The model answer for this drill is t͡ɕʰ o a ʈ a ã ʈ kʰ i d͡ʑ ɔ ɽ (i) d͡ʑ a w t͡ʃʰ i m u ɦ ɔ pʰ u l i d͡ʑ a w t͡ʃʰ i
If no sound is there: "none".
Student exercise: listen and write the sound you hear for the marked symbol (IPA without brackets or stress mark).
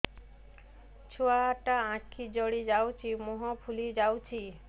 i